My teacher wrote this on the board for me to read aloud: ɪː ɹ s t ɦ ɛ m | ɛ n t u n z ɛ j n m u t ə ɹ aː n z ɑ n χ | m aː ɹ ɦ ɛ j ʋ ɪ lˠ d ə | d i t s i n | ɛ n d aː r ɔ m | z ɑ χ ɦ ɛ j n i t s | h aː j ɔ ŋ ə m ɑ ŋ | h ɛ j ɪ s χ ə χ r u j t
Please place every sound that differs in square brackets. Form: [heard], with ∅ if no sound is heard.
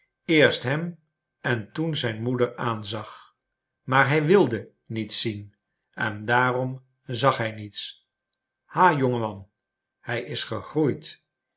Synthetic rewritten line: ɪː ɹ s t ɦ ɛ m | ɛ n t u n z ɛ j n m u [d] ə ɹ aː n z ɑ [∅] χ | m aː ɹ ɦ ɛ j ʋ ɪ lˠ d ə | [n] i t s i n | ɛ n d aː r ɔ m | z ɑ χ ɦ ɛ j n i t s | h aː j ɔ ŋ ə m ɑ [n] | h ɛ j ɪ s χ ə χ r u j t